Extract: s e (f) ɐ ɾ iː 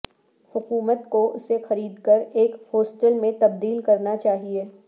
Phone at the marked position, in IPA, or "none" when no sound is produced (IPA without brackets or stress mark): x